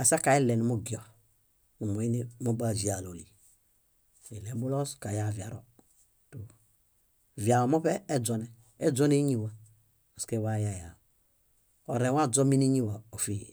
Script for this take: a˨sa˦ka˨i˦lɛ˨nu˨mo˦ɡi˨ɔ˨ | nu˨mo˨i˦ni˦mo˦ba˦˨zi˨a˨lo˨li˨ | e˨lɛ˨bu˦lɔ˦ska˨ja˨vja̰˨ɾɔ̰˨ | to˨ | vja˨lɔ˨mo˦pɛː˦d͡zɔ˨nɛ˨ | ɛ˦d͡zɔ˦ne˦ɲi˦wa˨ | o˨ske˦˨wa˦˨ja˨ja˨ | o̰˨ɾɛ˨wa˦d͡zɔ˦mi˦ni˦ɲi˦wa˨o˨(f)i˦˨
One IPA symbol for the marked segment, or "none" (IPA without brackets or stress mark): f